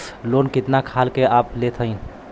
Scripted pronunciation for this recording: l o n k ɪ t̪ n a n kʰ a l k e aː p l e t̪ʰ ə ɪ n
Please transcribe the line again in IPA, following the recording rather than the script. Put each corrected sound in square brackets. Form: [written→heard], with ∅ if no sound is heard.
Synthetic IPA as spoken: l o n k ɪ t̪ n a [n→∅] kʰ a l k e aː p l e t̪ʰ ə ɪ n